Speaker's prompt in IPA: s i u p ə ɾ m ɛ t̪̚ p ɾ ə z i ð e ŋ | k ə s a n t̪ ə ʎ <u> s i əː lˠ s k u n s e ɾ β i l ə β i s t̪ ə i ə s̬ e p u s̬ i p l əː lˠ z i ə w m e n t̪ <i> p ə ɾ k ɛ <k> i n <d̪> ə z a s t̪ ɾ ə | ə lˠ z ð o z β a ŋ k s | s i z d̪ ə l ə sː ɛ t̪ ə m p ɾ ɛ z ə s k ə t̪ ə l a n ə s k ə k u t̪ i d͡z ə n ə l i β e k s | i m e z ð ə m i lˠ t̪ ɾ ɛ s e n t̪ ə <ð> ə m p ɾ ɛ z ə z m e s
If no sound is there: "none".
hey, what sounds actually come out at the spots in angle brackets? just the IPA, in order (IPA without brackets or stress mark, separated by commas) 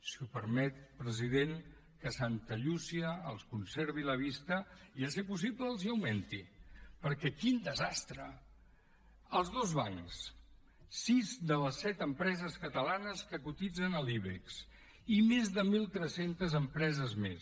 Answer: u, i, k, d̪, z